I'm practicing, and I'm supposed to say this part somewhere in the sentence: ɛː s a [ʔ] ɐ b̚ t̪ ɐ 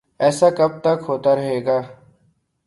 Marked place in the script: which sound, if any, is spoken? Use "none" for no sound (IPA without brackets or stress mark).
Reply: k